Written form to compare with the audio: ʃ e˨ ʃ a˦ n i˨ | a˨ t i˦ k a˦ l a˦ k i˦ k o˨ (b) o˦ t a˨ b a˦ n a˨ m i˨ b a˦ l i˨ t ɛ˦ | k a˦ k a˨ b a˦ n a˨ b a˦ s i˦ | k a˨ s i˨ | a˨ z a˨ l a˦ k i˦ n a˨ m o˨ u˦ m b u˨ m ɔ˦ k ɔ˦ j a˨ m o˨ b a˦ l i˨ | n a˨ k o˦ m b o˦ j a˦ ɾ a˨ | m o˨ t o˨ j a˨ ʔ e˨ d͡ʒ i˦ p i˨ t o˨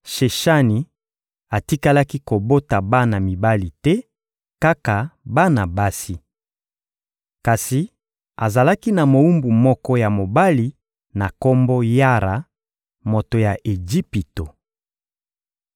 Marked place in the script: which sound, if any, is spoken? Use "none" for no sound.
b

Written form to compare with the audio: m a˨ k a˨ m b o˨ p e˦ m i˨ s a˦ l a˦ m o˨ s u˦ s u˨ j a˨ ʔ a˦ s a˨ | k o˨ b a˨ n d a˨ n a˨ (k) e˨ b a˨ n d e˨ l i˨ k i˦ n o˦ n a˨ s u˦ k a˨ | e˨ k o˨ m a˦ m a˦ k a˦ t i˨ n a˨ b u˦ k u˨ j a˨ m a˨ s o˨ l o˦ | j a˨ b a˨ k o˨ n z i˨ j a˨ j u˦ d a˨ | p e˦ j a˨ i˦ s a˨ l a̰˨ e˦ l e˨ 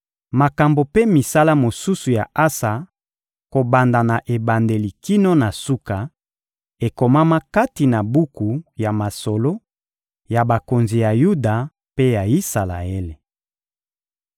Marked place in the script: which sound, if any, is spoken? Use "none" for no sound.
ʔ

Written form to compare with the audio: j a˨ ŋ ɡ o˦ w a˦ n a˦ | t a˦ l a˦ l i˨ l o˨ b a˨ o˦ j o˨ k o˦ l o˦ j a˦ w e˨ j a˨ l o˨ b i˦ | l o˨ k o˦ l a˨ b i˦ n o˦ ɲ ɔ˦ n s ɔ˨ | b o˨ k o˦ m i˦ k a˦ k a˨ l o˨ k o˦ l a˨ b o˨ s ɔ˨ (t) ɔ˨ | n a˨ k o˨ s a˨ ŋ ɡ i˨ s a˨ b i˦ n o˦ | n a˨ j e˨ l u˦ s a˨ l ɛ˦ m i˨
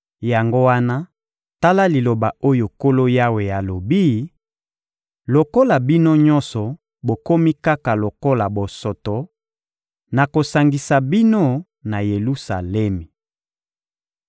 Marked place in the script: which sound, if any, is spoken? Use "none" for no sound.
t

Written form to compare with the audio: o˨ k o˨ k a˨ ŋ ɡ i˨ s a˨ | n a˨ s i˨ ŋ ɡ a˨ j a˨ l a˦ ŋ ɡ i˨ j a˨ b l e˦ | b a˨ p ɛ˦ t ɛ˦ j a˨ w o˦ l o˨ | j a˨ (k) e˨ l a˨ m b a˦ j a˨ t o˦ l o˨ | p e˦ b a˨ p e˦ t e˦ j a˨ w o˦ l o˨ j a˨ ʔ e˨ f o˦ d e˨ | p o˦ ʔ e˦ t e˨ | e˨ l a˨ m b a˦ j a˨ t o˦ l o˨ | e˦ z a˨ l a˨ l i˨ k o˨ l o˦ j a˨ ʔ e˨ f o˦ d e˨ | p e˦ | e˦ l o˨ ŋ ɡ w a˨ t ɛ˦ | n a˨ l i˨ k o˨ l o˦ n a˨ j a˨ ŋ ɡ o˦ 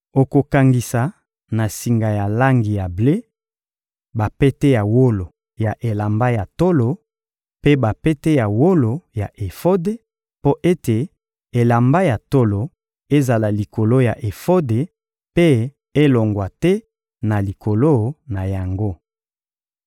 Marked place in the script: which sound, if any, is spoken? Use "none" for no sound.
ʔ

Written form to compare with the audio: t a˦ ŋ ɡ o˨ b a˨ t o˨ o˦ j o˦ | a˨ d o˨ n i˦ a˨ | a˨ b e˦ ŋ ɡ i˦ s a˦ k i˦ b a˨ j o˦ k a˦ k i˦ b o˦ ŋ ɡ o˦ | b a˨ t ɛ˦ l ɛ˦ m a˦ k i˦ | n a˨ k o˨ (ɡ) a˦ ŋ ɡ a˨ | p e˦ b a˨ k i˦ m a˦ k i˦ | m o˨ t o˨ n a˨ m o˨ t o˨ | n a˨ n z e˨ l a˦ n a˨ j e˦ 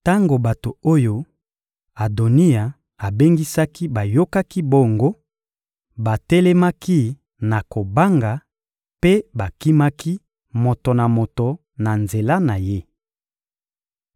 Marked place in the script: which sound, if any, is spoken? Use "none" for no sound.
b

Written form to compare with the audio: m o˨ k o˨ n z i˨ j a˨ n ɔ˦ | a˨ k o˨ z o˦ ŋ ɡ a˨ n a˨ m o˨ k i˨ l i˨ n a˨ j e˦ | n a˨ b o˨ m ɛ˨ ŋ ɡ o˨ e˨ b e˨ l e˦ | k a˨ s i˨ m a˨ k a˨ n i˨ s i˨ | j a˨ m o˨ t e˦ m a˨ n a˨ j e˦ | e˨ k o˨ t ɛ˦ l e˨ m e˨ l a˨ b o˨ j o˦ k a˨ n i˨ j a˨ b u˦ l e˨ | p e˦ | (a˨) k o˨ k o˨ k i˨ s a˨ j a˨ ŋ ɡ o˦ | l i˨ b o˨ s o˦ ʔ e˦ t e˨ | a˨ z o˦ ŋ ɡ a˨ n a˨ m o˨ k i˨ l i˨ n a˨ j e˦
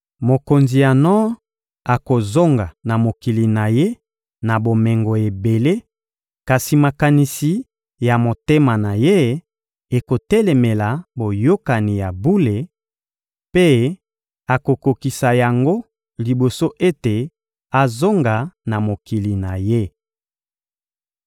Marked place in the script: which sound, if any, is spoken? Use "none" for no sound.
a˨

